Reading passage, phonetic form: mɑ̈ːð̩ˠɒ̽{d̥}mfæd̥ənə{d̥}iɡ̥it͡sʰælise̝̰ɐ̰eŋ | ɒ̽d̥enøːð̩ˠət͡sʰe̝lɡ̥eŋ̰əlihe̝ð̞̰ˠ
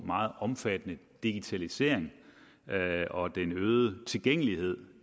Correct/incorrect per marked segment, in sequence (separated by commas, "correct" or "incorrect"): incorrect, correct